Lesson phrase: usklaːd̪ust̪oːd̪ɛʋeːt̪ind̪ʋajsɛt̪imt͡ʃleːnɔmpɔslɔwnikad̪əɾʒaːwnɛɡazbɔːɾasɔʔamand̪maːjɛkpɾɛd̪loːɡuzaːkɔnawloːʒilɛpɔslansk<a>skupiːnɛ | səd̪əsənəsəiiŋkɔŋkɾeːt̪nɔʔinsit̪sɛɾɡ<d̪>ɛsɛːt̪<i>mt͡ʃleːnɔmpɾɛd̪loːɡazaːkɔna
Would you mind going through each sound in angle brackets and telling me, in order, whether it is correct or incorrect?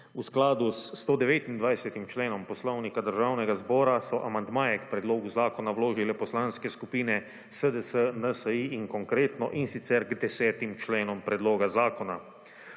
incorrect: ɛ, correct, correct

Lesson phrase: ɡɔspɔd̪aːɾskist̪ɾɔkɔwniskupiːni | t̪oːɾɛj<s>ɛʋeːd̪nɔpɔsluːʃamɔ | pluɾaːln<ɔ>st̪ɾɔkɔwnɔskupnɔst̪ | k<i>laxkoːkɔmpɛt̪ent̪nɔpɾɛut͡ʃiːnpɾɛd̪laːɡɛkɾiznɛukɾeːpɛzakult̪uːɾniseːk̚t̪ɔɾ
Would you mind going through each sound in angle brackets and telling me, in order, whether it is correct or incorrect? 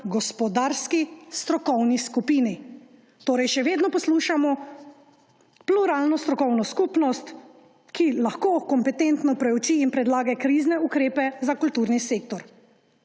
incorrect: ʃ, correct, correct

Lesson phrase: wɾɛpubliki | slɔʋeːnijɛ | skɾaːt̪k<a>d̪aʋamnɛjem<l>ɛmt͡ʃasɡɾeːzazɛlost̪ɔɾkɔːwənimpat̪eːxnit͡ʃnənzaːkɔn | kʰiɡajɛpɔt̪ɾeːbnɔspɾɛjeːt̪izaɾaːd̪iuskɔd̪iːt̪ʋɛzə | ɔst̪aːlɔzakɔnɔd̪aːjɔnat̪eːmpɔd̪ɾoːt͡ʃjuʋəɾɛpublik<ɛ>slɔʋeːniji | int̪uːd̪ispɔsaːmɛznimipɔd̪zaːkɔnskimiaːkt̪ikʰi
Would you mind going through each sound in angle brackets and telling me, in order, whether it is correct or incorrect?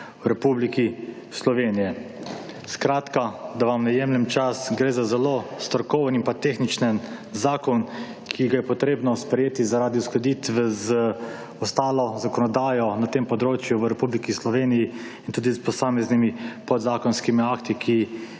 correct, correct, incorrect: i

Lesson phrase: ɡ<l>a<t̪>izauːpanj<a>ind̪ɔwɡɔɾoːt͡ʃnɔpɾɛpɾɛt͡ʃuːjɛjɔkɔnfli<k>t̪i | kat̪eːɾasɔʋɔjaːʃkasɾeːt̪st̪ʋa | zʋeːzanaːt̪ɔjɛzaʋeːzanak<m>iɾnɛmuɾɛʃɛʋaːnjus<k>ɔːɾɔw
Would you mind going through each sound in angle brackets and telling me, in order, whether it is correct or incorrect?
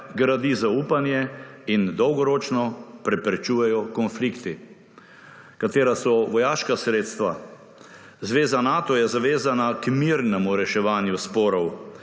incorrect: ɾ, incorrect: d̪, incorrect: ɛ, correct, correct, incorrect: p

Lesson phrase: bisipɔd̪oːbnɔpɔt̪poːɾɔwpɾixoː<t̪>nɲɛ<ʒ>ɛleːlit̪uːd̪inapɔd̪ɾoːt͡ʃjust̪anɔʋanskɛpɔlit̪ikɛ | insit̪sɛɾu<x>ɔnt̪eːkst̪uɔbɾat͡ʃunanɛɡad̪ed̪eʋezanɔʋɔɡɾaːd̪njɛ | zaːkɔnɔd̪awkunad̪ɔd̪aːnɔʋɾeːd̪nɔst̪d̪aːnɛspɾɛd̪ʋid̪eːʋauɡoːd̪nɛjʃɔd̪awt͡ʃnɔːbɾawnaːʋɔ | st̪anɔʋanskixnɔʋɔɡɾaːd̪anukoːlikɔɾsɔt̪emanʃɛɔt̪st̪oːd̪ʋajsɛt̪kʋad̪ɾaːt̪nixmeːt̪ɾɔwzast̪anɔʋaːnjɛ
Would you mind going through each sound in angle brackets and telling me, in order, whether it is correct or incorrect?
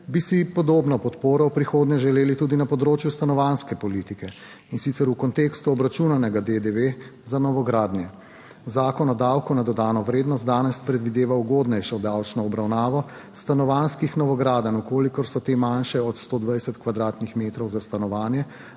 incorrect: d̪, correct, incorrect: k

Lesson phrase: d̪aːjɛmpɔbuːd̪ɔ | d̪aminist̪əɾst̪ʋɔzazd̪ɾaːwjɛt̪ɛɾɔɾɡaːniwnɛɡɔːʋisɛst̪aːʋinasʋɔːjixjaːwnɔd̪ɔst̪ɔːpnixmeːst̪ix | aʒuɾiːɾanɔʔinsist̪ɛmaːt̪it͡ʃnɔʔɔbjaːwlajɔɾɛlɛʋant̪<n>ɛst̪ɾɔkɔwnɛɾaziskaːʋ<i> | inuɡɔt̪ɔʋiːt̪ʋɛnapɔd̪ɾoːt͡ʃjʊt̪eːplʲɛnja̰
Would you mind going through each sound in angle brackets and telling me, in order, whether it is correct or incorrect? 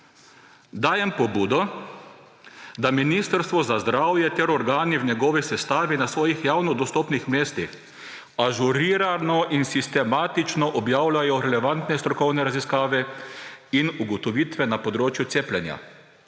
correct, incorrect: ɛ

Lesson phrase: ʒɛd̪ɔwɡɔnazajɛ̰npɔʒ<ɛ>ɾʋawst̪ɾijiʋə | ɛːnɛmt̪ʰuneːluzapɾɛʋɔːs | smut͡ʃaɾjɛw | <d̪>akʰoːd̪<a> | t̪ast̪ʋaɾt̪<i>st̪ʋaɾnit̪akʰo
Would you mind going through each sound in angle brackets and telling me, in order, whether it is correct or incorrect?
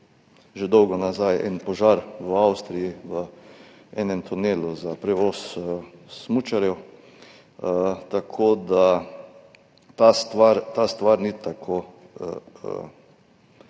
incorrect: a, incorrect: t̪, correct, incorrect: a

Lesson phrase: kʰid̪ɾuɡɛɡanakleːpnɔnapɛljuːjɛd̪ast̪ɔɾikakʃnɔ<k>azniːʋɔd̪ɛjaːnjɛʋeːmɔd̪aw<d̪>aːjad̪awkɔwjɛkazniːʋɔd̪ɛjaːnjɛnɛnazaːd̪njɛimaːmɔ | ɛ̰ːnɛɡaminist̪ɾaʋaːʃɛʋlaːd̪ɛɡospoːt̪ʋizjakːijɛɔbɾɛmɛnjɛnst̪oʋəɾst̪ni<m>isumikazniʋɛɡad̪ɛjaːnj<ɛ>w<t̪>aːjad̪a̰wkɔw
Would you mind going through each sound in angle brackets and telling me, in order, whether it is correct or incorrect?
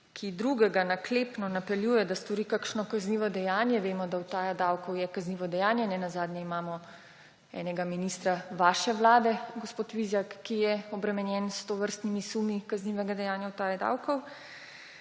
correct, incorrect: t̪, correct, incorrect: a, correct

